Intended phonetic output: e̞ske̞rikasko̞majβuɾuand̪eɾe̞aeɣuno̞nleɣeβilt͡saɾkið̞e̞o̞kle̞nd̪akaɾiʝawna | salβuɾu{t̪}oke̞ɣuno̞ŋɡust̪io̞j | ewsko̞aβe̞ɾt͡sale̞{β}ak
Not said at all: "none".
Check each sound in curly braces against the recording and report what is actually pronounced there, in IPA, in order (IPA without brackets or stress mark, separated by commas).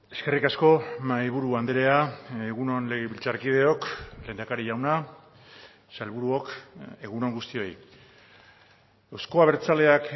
none, none